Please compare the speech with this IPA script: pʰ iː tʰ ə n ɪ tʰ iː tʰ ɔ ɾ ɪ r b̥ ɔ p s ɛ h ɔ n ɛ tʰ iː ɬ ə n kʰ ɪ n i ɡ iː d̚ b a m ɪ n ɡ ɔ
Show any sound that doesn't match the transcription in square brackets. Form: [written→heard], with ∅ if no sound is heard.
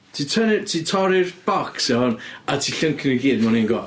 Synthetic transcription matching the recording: [pʰ→tʰ] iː tʰ ə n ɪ tʰ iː tʰ ɔ ɾ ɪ r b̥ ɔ [p→k] s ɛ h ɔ n [ɛ→a] tʰ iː ɬ ə [n→ŋ] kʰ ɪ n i ɡ iː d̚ [b→m] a [m→n] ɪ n ɡ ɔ